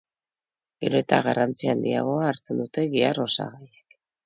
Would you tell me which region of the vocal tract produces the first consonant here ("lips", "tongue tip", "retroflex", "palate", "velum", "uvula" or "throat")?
velum